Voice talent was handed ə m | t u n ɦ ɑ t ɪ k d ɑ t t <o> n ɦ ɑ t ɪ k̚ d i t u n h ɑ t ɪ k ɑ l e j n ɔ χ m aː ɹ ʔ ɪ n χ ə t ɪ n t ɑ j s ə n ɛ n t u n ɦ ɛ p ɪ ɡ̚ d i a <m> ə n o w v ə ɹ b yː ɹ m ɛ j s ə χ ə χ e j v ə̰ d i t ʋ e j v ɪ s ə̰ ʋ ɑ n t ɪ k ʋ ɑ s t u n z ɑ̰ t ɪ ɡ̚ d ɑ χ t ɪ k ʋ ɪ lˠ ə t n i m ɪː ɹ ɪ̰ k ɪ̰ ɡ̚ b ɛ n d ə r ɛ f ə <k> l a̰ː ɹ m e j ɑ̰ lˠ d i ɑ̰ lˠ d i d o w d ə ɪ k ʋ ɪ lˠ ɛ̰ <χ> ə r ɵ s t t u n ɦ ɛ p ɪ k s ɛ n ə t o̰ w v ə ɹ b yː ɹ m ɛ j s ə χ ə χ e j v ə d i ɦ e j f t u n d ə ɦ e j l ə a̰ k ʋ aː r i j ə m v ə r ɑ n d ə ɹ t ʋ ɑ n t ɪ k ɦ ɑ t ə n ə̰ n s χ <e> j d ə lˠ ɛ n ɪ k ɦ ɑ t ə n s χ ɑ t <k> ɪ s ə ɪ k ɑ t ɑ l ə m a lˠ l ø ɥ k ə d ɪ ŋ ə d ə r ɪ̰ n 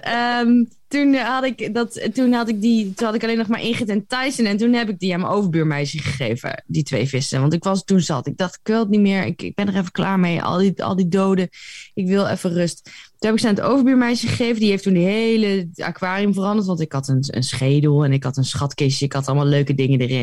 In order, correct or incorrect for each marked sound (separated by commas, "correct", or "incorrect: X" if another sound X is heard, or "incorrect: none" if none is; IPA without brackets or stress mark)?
incorrect: u, correct, correct, incorrect: f, correct, correct